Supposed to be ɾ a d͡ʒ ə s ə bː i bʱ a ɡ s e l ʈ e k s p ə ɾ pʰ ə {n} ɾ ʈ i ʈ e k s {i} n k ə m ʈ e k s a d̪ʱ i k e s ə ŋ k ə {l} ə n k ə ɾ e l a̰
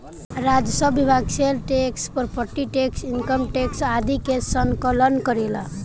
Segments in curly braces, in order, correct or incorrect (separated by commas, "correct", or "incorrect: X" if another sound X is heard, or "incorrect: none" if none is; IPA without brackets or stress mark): incorrect: none, correct, correct